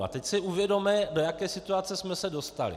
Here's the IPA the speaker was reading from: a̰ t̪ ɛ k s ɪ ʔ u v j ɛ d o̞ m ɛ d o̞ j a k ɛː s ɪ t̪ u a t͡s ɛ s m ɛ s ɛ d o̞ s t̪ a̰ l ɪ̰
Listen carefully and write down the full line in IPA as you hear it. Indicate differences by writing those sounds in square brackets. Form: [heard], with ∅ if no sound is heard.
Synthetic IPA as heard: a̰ t̪ ɛ [c] s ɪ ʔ u v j ɛ d o̞ m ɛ d o̞ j a k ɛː s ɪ t̪ u a t͡s ɛ s m ɛ s ɛ d o̞ s t̪ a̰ l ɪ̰